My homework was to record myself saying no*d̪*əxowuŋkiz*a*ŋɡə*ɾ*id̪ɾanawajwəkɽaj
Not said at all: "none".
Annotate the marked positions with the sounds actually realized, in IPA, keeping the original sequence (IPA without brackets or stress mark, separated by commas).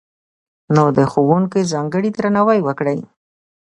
d̪, ɑ, ɽ